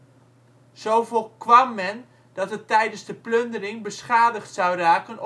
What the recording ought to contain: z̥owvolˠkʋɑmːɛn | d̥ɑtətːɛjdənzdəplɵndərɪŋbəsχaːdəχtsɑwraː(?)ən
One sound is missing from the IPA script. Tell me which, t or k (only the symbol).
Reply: k